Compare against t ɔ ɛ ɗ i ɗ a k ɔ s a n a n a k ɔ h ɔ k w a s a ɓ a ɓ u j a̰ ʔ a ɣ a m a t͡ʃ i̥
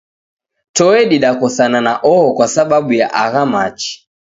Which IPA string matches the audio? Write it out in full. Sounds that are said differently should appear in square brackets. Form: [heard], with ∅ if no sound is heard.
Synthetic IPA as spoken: t ɔ ɛ ɗ i ɗ a k ɔ s a n a n a [ʔ] ɔ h ɔ k w a s a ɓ a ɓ u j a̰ ʔ a ɣ a m a t͡ʃ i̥